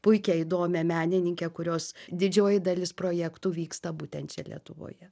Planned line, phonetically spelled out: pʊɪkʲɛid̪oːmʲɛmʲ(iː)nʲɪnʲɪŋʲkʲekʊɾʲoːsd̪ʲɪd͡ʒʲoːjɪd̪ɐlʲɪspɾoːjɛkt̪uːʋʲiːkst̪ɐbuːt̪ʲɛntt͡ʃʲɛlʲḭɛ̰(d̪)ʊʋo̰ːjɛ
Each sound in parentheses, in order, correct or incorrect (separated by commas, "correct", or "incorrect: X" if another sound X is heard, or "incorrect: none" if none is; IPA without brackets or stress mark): incorrect: æː, incorrect: t̪